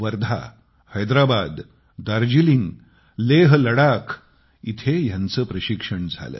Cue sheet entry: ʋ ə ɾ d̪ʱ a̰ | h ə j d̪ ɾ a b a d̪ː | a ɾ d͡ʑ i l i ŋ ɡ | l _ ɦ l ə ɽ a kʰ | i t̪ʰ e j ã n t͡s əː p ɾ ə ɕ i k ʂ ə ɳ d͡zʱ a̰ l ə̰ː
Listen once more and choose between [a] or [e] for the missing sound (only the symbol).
e